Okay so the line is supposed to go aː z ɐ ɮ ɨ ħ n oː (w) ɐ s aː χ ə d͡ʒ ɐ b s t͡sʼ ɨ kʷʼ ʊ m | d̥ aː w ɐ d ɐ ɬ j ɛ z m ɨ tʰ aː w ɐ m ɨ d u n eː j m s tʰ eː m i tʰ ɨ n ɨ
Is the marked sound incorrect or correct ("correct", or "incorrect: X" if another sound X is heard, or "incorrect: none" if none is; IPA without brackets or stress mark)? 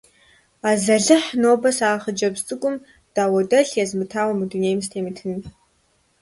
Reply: incorrect: b